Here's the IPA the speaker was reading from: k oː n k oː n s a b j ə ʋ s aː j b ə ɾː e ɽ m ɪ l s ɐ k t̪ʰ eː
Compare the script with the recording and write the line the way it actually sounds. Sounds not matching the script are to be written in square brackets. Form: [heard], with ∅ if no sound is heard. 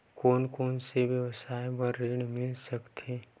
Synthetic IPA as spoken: k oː n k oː n s [e] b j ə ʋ s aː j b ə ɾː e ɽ m ɪ l s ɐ k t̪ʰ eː